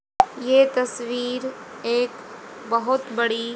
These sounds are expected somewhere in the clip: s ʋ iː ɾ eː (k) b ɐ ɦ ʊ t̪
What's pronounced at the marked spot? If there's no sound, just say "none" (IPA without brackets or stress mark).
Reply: k